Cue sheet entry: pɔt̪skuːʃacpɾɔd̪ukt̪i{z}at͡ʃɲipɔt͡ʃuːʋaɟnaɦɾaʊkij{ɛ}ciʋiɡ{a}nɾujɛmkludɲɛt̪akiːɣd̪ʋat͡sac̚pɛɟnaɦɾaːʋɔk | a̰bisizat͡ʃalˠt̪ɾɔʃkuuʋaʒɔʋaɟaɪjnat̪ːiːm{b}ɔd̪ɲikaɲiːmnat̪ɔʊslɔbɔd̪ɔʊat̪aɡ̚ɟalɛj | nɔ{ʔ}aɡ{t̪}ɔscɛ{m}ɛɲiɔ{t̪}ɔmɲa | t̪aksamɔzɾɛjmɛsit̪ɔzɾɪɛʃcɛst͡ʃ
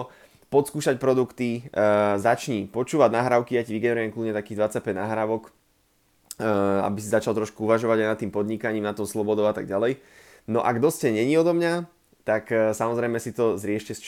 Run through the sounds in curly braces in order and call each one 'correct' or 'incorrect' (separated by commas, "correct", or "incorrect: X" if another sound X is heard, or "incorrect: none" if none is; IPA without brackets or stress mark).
correct, incorrect: a, incorrect: ɛ, incorrect: p, correct, incorrect: d̪, incorrect: ɲ, incorrect: d̪